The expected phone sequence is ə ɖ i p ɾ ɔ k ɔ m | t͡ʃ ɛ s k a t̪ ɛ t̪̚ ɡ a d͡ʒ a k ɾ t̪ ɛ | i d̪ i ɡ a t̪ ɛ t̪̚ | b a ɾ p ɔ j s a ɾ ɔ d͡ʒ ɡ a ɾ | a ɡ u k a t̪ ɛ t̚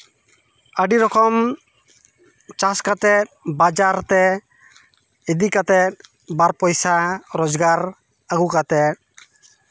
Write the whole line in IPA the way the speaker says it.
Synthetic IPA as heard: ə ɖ i ɾ ɔ k ɔ m | t͡ʃ a s k a t̪ ɛ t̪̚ b a d͡ʒ a ɾ t̪ ɛ | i d̪ i k a t̪ ɛ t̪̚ | b a ɾ p ɔ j s a ɾ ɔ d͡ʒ ɡ a ɾ | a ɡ u k a t̪ ɛ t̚